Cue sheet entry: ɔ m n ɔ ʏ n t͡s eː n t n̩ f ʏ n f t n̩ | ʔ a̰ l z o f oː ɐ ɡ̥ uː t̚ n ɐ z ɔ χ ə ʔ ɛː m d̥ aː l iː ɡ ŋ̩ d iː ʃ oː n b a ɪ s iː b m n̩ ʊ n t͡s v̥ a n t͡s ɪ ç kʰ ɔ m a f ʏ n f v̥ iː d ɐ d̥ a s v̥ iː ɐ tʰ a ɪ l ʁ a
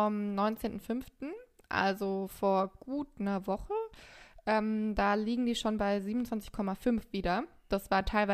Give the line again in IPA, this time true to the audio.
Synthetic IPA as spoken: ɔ m n ɔ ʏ n t͡s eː n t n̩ f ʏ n f t n̩ | ʔ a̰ l z o f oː ɐ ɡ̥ uː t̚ n ɐ v ɔ χ ə ʔ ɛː m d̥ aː l iː ɡ ŋ̩ d iː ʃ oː n b a ɪ z iː b m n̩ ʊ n t͡s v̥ a n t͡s ɪ ç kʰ ɔ m a f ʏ n f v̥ iː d ɐ d̥ a s v̥ aː ɐ tʰ a ɪ l v a